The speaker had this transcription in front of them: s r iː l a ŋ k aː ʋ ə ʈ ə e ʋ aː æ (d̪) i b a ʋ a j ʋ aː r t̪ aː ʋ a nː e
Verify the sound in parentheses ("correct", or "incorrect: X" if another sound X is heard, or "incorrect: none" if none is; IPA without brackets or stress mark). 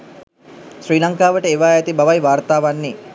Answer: incorrect: t̪